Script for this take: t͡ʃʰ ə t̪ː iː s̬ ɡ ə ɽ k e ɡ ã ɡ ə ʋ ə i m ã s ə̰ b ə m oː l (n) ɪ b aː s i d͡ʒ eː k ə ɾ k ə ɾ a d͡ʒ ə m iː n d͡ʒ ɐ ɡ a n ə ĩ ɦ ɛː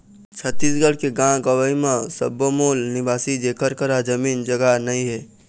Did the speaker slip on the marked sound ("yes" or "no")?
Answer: no